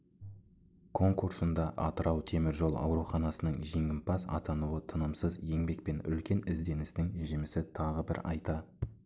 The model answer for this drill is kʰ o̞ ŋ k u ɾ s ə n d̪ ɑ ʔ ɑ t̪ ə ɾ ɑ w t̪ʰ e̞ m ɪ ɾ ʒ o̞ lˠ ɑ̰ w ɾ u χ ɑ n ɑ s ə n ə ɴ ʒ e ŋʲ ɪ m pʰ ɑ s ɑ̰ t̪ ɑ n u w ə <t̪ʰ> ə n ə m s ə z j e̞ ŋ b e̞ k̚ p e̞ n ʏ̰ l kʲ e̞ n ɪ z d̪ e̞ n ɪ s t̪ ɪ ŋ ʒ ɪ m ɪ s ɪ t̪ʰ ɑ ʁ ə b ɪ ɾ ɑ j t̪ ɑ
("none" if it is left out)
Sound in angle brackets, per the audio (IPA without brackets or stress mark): t̪ʰ